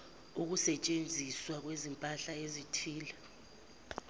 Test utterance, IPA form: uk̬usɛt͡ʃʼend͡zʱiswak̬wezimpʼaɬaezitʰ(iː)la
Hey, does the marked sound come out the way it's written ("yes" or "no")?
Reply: yes